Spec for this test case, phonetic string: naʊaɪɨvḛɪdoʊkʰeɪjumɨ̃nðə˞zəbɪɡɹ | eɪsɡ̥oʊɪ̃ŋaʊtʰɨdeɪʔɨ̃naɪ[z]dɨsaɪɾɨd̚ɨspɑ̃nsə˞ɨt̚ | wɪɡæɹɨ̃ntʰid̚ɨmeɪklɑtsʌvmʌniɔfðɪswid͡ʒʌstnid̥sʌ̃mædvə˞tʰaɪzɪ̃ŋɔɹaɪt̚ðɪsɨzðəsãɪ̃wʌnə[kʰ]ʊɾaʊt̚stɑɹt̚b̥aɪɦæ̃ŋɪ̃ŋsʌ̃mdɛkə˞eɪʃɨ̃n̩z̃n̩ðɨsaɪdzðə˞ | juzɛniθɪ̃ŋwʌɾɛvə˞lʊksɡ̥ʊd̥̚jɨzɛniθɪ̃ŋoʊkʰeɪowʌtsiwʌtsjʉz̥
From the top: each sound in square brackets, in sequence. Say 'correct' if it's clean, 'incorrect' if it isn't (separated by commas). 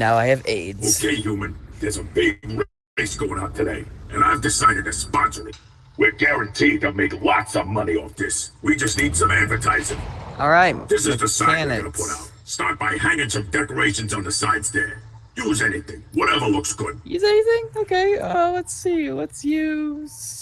incorrect, incorrect